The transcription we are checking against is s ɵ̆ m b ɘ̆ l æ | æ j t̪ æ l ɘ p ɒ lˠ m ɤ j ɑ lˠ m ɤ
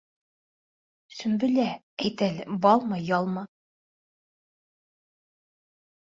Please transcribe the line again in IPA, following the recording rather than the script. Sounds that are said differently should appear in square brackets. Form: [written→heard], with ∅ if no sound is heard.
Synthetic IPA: s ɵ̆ m b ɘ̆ l æ | æ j t̪ æ l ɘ [p→b] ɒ lˠ m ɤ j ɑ lˠ m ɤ